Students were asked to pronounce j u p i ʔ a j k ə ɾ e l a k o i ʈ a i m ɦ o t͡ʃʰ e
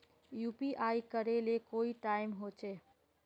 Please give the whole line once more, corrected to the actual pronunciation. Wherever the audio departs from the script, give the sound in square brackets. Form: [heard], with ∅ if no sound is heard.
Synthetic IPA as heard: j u p i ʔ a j k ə ɾ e l [e] k o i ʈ a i m ɦ o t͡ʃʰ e